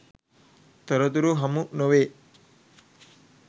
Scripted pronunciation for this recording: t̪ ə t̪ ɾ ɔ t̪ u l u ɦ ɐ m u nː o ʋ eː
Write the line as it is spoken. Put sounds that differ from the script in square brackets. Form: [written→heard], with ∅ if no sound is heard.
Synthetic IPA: t̪ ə [t̪→∅] ɾ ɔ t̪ u [l→ɾ] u ɦ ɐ m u [nː→n] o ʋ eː